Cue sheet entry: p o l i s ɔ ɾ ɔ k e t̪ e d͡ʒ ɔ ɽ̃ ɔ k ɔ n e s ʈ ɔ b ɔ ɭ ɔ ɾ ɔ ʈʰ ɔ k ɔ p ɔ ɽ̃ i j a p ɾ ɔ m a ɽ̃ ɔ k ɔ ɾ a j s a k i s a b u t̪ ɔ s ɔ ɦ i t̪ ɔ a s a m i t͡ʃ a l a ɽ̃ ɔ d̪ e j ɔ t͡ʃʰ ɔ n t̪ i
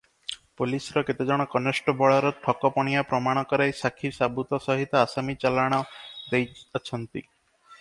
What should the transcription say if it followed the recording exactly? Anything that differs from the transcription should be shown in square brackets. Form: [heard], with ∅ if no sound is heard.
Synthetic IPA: p o l i s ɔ ɾ ɔ k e t̪ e d͡ʒ ɔ ɽ̃ ɔ k ɔ n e s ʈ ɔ b ɔ ɭ ɔ ɾ ɔ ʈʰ ɔ k ɔ p ɔ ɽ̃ i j a p ɾ ɔ m a ɽ̃ ɔ k ɔ ɾ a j s a [kʰ] i s a b u t̪ ɔ s ɔ ɦ i t̪ ɔ a s a m i t͡ʃ a l a ɽ̃ ɔ d̪ e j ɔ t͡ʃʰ ɔ n t̪ i

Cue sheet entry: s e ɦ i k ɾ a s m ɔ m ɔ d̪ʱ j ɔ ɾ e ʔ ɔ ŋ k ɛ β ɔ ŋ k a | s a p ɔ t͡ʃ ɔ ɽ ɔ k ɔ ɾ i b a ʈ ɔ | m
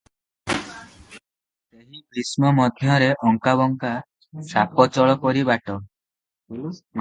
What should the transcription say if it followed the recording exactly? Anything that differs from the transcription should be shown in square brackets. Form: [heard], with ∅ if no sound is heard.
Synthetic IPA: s e ɦ i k ɾ [i] s m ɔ m ɔ d̪ʱ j ɔ ɾ e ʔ ɔ ŋ k [a] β ɔ ŋ k a | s a p ɔ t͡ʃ ɔ [ɭ] ɔ k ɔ ɾ i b a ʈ ɔ | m

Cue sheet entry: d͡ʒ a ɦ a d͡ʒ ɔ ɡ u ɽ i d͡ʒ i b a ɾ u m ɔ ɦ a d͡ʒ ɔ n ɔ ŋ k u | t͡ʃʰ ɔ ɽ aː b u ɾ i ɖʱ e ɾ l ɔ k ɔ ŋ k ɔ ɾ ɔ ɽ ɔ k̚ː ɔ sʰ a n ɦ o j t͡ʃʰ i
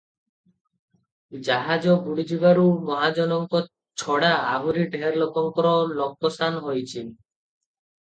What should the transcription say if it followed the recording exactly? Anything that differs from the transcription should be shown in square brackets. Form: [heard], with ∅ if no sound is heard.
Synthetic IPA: d͡ʒ a ɦ a d͡ʒ ɔ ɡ u ɽ i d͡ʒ i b a ɾ u m ɔ ɦ a d͡ʒ ɔ n ɔ ŋ k [ɔ] | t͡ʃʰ ɔ ɽ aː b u ɾ i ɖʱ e ɾ l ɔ k ɔ ŋ k ɔ ɾ ɔ [l] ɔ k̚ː ɔ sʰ a n ɦ o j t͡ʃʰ i

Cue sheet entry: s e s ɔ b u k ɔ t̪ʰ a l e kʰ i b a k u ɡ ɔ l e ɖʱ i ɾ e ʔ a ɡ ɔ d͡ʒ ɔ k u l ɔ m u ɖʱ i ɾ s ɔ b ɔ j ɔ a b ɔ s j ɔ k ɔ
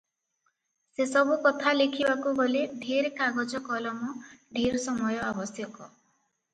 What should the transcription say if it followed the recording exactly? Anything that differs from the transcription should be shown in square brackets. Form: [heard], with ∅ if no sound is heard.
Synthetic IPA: s e s ɔ b u k ɔ t̪ʰ a l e kʰ i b a k u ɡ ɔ l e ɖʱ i ɾ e [k] a ɡ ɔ d͡ʒ ɔ k [ɔ] l ɔ m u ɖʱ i ɾ s ɔ [m] ɔ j ɔ a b ɔ s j ɔ k ɔ

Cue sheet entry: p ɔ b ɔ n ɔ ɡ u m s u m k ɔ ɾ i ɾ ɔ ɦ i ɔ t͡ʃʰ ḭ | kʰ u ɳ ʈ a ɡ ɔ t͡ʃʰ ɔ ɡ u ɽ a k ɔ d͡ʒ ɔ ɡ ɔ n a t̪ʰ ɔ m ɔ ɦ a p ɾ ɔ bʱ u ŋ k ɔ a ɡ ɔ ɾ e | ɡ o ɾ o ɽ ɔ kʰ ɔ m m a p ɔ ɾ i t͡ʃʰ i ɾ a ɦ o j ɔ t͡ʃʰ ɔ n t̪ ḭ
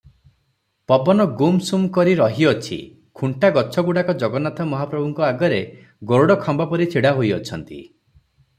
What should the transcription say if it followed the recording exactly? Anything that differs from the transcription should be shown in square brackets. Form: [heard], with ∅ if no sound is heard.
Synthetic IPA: p ɔ b ɔ n ɔ ɡ u m s u m k ɔ ɾ i ɾ ɔ ɦ i ɔ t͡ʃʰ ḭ | kʰ u ɳ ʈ a ɡ ɔ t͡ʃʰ ɔ ɡ u ɽ a k ɔ d͡ʒ ɔ ɡ ɔ n a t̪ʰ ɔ m ɔ ɦ a p ɾ ɔ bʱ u ŋ k ɔ a ɡ ɔ ɾ e | ɡ o ɾ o ɽ ɔ kʰ ɔ m [b] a p ɔ ɾ i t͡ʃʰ i [ɽ] a ɦ o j ɔ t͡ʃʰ ɔ n t̪ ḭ

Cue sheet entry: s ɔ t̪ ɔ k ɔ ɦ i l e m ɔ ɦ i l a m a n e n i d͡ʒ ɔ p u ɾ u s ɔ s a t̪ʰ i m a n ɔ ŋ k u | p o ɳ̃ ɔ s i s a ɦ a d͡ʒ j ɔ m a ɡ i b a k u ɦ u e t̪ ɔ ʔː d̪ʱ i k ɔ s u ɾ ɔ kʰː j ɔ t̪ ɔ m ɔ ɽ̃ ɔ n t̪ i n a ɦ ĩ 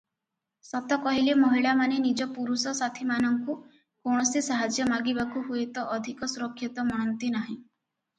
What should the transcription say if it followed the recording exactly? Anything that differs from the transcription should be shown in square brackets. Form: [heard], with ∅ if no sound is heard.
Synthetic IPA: s ɔ t̪ ɔ k ɔ ɦ i l e m ɔ ɦ i [ɭ] a m a n e n i d͡ʒ ɔ p u ɾ u s ɔ s a t̪ʰ i m a n ɔ ŋ k u | [k] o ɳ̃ ɔ s i s a ɦ a d͡ʒ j ɔ m a ɡ i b a k u ɦ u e t̪ ɔ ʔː d̪ʱ i k ɔ s u ɾ ɔ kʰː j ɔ t̪ ɔ m ɔ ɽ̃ ɔ n t̪ i n a ɦ ĩ

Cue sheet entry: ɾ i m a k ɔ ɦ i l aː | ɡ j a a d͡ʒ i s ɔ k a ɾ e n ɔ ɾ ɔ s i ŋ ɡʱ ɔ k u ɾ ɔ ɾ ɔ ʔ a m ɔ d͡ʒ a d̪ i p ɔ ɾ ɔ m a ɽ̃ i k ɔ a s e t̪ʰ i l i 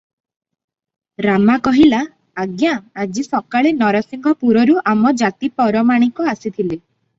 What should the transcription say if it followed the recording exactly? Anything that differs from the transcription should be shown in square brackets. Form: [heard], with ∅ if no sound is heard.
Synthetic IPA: ɾ [a] m a k ɔ ɦ i l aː | ɡ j a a d͡ʒ i s ɔ k a [ɭ] e n ɔ ɾ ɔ s i ŋ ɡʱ ɔ [p] u ɾ ɔ ɾ [u] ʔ a m ɔ d͡ʒ a [t̪] i p ɔ ɾ ɔ m a ɽ̃ i k ɔ a s [i] t̪ʰ i l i

